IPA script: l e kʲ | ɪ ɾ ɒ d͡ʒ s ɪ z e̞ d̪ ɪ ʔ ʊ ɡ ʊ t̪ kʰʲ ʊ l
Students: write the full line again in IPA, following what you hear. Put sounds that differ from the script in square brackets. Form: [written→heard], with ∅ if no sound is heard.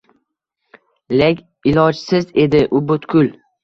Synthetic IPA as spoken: l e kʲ | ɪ [ɾ→l] ɒ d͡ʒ s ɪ z e̞ d̪ ɪ ʔ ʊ [ɡ→b] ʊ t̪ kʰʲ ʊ l